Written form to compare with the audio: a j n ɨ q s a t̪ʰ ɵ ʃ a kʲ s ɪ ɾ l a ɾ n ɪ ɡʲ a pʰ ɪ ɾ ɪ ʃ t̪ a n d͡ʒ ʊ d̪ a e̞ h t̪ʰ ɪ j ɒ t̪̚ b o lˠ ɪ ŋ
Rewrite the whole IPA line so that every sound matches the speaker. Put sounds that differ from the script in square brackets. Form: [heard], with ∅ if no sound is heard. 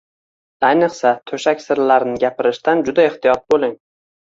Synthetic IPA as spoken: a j n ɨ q s a t̪ʰ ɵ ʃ a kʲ s ɪ ɾ l a ɾ n ɪ ɡʲ a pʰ ɪ ɾ ɪ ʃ t̪ a n d͡ʒ ʊ d̪ a e̞ h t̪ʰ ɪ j ɒ t̪̚ b o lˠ ɪ ŋ

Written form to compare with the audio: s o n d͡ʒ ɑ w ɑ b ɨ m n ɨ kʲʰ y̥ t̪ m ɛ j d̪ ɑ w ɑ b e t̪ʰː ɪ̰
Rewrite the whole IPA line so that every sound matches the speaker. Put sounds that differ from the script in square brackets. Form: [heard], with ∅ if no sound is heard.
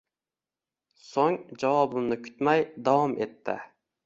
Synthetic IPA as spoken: s o [ŋ] d͡ʒ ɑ w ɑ b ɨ m n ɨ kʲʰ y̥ t̪ m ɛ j d̪ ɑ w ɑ [m] e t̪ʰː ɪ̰

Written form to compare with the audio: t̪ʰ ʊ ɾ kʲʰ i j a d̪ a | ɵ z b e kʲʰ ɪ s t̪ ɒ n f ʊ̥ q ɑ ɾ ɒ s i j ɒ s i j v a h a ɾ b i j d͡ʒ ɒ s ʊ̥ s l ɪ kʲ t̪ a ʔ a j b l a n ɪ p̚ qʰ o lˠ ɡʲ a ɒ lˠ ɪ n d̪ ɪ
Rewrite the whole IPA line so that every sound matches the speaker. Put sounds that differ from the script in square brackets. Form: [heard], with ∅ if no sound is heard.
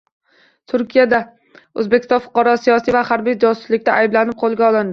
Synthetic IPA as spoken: t̪ʰ ʊ ɾ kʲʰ i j a d̪ a | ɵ z b e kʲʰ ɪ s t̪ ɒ n f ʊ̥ q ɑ ɾ ɒ s i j ɒ s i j v a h a ɾ b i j d͡ʒ ɒ s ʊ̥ s l ɪ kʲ t̪ a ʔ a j b l a n ɪ p̚ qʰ o lˠ ɡʲ a ɒ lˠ ɪ n d̪ ɪ

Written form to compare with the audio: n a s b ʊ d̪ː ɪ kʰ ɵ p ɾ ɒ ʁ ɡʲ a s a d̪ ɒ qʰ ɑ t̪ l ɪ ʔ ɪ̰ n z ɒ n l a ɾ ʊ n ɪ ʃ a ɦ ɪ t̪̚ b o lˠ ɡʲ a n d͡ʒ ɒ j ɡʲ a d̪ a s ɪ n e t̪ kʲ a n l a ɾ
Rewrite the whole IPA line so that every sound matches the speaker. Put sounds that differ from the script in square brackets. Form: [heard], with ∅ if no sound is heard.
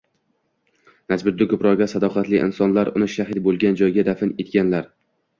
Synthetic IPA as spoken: n a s b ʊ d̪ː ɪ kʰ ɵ p ɾ ɒ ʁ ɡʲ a s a d̪ ɒ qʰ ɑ t̪ l ɪ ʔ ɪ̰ n [s] ɒ n l a ɾ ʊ n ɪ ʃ a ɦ ɪ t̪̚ b o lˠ ɡʲ a n d͡ʒ ɒ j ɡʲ a d̪ a [f] ɪ n e t̪ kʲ a n l a ɾ

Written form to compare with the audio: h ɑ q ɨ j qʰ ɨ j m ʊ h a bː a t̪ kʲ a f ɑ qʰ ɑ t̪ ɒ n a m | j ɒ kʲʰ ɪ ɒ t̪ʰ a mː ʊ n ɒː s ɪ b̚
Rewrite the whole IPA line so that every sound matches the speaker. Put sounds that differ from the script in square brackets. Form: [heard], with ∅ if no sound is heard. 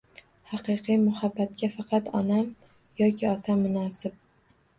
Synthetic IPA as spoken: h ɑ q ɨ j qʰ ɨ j m ʊ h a bː a t̪ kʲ a f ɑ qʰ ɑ t̪ ɒ n a m | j ɒ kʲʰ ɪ ɒ t̪ʰ a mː ʊ n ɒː s ɪ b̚

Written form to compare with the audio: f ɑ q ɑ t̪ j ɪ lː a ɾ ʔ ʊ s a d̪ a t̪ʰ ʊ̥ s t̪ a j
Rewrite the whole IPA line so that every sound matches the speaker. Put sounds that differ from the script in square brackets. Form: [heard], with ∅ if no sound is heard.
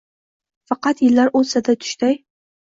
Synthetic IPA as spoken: f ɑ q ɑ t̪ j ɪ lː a ɾ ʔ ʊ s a d̪ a t̪ʰ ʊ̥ [ʃ] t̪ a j

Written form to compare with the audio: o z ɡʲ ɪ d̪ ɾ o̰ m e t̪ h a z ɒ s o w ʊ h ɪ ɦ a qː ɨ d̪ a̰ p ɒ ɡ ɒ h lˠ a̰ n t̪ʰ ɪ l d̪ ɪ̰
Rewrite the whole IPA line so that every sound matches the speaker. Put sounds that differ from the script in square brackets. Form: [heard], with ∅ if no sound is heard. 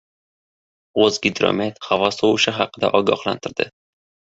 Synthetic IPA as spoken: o z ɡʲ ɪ d̪ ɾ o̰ m e t̪ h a [v] ɒ s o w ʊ [ʃ] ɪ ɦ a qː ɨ d̪ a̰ [ʔ] ɒ ɡ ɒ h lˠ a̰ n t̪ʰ ɪ [ɾ] d̪ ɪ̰

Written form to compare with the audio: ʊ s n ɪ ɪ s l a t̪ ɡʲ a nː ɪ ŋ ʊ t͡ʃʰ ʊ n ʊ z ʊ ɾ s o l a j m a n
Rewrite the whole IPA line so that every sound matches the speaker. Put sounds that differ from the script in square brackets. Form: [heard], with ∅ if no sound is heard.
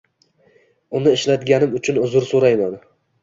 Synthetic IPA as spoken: ʊ [∅] n ɪ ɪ [ʃ] l a t̪ ɡʲ a [n] ɪ [m] ʊ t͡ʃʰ ʊ n ʊ z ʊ ɾ s o [ɾ] a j m a n

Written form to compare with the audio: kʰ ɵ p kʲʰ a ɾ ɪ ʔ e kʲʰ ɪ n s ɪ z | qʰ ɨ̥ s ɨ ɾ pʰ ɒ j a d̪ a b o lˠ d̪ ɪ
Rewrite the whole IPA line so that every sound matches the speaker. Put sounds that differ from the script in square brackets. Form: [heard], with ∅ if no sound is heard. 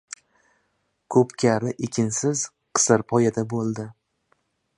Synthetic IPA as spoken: kʰ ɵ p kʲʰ a ɾ ɪ ʔ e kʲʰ ɪ n s ɪ z | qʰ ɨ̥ s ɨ ɾ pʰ ɒ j a d̪ a b o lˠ d̪ ɪ

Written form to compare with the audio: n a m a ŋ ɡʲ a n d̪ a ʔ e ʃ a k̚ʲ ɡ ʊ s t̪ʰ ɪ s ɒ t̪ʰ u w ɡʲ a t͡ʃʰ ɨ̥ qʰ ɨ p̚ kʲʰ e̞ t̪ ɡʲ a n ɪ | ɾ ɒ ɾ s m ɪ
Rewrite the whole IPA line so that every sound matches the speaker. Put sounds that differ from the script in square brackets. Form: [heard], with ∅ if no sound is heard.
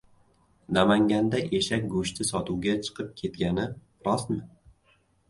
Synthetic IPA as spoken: n a m a ŋ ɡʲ a n d̪ a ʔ e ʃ a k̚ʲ ɡ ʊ [ʃ] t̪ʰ ɪ s ɒ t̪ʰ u w ɡʲ a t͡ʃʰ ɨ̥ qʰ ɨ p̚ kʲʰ e̞ t̪ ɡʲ a n ɪ | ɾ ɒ [∅] s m ɪ

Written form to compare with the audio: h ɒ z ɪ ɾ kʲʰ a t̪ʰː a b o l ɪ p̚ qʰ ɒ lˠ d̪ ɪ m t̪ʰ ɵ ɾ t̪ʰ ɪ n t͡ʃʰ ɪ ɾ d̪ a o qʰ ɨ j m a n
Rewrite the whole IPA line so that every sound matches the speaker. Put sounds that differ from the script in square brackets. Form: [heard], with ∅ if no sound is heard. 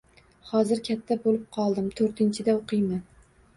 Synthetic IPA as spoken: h ɒ z ɪ ɾ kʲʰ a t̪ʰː a b o l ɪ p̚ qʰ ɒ lˠ d̪ ɪ m t̪ʰ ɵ ɾ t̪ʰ ɪ n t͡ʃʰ ɪ [∅] d̪ a o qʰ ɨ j m a n

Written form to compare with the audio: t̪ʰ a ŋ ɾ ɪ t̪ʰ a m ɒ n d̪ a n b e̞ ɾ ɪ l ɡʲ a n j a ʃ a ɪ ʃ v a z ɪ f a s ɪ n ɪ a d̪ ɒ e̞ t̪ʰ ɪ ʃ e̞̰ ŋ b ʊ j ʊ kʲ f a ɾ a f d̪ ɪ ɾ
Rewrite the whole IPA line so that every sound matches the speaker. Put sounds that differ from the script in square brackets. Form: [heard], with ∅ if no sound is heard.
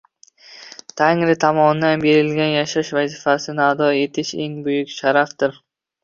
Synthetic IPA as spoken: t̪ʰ a ŋ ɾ ɪ t̪ʰ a m ɒ n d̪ a n b e̞ ɾ ɪ l ɡʲ a n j a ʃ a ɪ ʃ v a z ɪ f a s ɪ n ɪ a d̪ ɒ e̞ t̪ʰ ɪ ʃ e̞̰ ŋ b ʊ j ʊ kʲ [ʃ] a ɾ a f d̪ ɪ ɾ

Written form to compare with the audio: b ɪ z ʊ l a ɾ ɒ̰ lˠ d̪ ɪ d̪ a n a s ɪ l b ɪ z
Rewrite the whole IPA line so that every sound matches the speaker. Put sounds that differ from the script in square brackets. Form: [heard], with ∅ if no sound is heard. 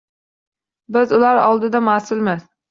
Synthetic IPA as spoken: b ɪ z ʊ l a ɾ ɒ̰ lˠ d̪ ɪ d̪ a [m] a s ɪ l [m] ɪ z

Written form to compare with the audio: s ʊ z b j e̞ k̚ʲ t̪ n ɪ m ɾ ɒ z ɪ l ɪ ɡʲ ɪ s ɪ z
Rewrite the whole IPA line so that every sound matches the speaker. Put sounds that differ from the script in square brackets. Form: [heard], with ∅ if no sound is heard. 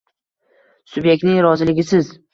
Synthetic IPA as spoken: s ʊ [∅] b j e̞ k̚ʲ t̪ n ɪ [ŋ] ɾ ɒ z ɪ l ɪ ɡʲ ɪ s ɪ z

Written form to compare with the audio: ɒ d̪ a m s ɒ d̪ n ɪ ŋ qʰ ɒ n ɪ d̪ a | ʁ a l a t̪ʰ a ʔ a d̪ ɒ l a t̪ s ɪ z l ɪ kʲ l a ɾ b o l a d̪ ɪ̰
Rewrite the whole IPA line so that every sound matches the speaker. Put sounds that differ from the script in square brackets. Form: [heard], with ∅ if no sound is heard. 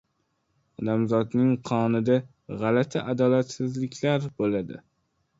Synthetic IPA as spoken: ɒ d̪ a m [z] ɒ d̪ n ɪ ŋ qʰ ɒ n ɪ d̪ a | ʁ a l a t̪ʰ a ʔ a d̪ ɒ l a t̪ s ɪ z l ɪ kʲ l a ɾ b o l a d̪ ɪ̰

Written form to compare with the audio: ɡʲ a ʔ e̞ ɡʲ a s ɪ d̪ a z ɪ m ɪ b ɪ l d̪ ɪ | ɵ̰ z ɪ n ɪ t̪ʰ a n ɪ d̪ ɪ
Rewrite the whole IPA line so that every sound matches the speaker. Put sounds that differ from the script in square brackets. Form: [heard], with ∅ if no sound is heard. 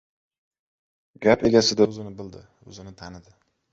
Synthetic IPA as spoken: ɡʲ a [p] e̞ ɡʲ a s ɪ d̪ a z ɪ [n] ɪ b ɪ l d̪ ɪ | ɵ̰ z ɪ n ɪ t̪ʰ a n ɪ d̪ ɪ

